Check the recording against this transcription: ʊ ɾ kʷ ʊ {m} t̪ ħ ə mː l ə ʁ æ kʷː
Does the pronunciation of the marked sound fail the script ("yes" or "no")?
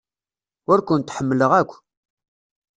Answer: yes